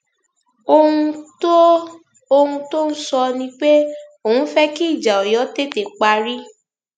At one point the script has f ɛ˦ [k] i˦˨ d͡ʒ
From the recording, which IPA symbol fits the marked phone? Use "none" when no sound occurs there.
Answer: k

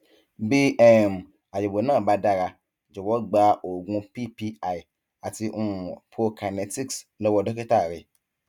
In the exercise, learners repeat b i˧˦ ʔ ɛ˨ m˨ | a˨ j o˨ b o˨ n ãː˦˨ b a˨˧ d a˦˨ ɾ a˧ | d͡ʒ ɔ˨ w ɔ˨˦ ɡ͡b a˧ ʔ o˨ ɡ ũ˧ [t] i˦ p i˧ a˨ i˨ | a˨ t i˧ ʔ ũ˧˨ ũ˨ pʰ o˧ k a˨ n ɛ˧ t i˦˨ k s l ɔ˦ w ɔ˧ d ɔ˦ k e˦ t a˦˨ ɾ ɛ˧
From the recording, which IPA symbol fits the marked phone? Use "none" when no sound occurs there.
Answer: p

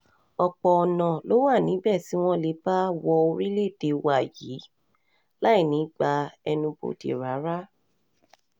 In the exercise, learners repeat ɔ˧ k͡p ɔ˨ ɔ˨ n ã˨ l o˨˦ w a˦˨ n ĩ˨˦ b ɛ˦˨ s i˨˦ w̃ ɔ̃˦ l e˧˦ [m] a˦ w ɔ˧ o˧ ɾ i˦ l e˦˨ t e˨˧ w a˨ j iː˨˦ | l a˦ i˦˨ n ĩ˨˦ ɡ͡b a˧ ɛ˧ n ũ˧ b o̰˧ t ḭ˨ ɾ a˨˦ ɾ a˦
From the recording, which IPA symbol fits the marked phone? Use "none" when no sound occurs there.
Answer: b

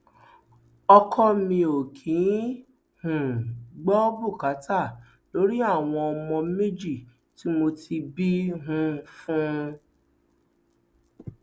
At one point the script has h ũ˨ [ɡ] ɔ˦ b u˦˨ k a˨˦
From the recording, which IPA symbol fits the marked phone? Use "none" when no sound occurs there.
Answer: ɡ͡b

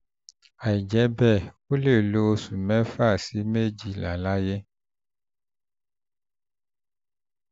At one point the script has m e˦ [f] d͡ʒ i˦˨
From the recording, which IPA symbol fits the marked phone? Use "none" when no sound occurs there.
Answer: none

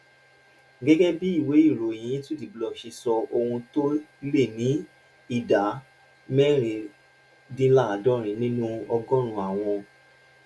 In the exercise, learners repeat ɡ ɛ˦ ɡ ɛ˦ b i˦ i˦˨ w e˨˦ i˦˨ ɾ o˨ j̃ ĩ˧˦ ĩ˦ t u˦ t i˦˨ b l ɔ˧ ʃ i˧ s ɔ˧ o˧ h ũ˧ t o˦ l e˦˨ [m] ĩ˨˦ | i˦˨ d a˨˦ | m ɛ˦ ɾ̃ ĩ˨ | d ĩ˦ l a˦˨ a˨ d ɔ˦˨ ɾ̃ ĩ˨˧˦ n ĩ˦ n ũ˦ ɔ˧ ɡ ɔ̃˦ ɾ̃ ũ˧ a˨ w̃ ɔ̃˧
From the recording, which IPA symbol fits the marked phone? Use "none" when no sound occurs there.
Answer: n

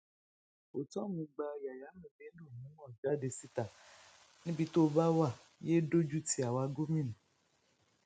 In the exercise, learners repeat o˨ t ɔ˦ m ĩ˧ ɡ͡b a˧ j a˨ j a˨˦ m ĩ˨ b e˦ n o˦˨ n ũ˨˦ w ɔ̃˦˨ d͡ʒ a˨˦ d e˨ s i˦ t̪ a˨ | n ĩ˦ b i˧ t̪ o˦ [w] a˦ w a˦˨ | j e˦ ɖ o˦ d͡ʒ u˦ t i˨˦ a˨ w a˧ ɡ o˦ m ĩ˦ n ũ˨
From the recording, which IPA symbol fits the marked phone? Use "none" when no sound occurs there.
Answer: b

